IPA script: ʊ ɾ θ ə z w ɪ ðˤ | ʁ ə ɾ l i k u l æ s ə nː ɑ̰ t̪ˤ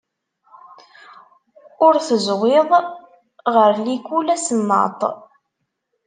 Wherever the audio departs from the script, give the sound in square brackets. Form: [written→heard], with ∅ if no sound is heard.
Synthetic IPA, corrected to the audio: ʊ ɾ θ ə z w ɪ ðˤ | ʁ ə ɾ l i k u l æ s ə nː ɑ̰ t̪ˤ